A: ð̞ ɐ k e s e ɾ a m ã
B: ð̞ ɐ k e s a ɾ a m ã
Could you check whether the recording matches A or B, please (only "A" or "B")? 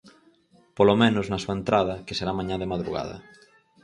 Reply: A